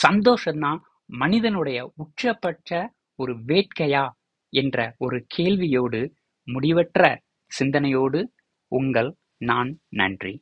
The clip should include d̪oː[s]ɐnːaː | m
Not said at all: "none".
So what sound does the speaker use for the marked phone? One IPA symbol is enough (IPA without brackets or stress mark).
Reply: ʂ